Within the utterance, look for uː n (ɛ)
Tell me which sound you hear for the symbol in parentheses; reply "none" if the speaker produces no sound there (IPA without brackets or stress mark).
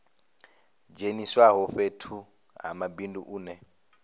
ɛ